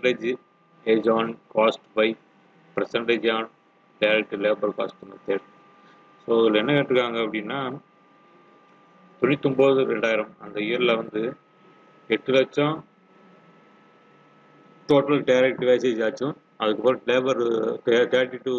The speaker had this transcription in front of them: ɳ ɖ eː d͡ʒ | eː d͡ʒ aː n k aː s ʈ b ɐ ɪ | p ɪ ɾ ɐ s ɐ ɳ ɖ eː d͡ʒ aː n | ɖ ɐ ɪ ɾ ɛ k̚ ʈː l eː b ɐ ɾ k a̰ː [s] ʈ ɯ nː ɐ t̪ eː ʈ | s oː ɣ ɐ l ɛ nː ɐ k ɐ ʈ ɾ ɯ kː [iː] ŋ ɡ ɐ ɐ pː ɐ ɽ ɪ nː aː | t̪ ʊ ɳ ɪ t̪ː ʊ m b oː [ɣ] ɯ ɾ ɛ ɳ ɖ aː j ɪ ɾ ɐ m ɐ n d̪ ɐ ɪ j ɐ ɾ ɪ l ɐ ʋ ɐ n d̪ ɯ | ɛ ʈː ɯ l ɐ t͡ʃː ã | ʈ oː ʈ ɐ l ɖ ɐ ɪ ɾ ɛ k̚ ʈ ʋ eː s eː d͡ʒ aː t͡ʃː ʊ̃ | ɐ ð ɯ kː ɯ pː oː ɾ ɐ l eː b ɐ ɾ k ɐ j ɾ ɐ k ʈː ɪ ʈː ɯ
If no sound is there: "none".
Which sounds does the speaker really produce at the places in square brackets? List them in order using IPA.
s, aː, ð

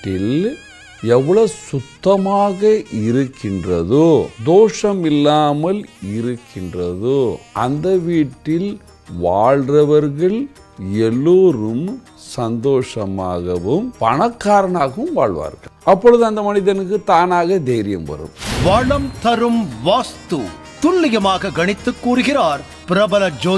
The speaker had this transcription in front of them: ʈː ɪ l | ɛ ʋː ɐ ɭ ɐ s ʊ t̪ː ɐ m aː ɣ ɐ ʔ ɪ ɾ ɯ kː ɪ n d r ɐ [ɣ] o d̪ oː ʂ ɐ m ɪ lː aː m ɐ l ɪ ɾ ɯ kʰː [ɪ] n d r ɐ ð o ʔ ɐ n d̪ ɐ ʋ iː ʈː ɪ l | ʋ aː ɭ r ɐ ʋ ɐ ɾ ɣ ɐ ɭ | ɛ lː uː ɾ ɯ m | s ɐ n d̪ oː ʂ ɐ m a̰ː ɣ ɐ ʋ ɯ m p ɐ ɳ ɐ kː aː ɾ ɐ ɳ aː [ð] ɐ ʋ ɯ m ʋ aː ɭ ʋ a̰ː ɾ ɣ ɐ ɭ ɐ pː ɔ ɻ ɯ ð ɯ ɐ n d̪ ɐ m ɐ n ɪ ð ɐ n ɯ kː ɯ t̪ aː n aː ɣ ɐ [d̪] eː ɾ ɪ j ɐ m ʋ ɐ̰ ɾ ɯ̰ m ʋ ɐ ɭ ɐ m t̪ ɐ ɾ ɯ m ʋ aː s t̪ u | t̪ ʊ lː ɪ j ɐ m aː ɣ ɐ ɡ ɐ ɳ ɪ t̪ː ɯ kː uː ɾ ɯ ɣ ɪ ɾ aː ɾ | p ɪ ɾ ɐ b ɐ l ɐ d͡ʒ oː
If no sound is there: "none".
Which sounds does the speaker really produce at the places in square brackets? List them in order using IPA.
ð, ɪ, ɣ, d̪

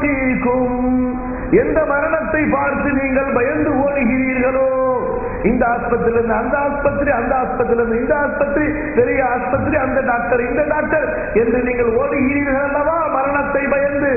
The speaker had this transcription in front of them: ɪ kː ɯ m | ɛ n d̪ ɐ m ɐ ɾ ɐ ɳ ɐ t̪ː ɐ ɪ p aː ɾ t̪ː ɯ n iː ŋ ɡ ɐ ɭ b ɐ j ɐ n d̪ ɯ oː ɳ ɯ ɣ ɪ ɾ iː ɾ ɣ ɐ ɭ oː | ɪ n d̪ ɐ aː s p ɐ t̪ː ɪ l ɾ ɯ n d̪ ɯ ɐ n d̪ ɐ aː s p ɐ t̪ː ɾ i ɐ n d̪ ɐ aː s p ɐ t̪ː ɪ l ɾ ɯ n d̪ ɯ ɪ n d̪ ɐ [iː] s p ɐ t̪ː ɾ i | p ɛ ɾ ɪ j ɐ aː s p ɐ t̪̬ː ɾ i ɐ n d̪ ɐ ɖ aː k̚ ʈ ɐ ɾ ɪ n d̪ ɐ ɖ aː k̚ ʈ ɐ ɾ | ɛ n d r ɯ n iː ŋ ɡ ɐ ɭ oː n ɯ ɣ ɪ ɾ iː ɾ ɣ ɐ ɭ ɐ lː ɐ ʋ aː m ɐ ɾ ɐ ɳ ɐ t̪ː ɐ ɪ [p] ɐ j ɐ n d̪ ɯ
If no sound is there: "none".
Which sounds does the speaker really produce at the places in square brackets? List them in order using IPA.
aː, b

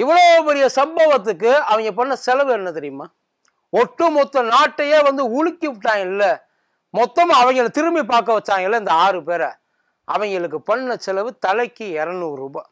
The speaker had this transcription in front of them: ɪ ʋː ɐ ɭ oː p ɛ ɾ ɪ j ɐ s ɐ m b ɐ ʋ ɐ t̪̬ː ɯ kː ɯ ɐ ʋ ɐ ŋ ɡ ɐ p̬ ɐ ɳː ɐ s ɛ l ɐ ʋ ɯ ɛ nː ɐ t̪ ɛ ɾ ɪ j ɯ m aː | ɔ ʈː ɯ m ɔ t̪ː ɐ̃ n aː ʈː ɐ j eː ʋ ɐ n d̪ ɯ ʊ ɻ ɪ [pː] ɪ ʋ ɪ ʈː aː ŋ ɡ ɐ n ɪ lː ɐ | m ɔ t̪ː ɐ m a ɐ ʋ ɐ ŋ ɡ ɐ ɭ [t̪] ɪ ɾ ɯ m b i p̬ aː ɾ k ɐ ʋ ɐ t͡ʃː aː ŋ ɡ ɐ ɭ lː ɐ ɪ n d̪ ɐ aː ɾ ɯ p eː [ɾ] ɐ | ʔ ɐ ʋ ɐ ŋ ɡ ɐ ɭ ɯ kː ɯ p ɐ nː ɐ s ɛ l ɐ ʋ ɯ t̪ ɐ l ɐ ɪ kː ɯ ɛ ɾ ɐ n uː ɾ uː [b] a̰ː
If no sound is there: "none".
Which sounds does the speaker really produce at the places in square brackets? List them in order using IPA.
kː, t̪, ɾ, b

